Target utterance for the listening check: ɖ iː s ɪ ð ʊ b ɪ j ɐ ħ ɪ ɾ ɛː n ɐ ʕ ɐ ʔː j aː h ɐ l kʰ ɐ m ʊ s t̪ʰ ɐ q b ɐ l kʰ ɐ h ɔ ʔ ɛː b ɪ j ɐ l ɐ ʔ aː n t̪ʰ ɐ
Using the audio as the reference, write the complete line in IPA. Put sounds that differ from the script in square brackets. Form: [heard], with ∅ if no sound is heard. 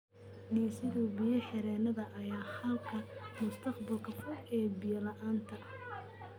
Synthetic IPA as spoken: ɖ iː s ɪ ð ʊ b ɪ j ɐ ħ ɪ ɾ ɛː n ɐ [ð] ɐ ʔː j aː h ɐ l kʰ ɐ m ʊ s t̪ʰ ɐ q b ɐ l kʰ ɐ [f] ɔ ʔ ɛː b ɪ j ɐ l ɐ ʔ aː n t̪ʰ ɐ